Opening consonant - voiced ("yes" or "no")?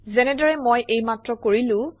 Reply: yes